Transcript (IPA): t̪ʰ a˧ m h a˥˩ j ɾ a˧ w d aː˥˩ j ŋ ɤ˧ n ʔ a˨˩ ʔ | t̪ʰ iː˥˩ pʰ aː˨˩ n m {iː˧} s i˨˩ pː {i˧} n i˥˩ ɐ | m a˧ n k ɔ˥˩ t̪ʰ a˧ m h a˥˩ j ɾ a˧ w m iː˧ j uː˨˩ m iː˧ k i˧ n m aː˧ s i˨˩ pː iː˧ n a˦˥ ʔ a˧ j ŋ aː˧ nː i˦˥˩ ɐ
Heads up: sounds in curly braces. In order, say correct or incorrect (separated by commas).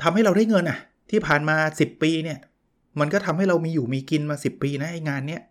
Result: incorrect, incorrect